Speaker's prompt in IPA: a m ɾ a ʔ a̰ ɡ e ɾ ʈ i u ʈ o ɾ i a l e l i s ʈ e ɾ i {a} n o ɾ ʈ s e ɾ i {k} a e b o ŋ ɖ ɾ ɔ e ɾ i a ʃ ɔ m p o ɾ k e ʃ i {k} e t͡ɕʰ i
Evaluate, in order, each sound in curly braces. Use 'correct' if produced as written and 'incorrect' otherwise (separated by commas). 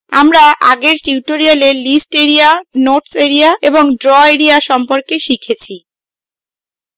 correct, incorrect, incorrect